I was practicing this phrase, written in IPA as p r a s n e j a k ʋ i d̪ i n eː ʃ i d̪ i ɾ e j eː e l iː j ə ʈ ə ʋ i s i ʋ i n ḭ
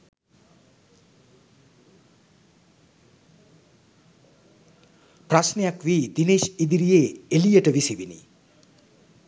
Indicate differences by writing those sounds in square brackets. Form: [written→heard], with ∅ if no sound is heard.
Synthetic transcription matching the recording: p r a s n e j a k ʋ i d̪ i n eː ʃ i d̪ i ɾ [e→i] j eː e l [iː→i] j ə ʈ ə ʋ i s i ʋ i n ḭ